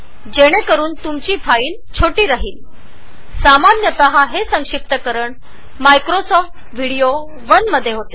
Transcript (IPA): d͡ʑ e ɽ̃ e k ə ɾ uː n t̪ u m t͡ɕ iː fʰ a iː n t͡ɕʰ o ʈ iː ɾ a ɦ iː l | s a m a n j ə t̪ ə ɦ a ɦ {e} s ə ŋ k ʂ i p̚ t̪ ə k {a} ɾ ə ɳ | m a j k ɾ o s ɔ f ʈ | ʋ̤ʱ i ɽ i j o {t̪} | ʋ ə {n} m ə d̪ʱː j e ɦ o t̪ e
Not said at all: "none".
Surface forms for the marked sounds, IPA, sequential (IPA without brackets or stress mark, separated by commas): e, ə, none, n